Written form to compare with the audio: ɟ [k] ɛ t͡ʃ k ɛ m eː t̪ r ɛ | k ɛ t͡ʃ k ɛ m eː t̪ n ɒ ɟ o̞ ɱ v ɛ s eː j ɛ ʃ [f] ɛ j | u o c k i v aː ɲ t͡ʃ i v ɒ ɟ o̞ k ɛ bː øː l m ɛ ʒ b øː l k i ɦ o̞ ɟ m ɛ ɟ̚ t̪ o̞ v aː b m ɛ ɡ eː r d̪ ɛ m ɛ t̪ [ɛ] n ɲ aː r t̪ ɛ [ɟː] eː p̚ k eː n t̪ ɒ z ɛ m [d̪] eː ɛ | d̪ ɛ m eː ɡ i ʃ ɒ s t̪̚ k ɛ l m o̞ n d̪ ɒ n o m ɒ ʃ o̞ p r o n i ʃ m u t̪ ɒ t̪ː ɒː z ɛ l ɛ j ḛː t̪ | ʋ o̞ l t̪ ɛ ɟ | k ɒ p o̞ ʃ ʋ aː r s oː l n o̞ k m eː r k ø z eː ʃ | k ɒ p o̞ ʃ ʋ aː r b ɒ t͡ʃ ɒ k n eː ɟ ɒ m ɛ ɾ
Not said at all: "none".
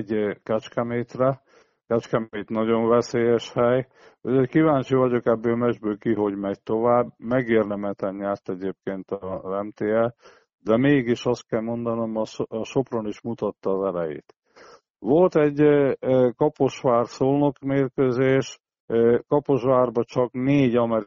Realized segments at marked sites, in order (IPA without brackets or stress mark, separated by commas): k, h, ɛ, ɟ, t̪